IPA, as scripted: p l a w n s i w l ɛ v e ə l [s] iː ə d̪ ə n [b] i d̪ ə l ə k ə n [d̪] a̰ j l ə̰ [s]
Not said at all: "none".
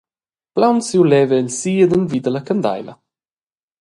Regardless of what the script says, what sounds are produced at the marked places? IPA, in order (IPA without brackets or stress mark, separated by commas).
s, v, d̪, none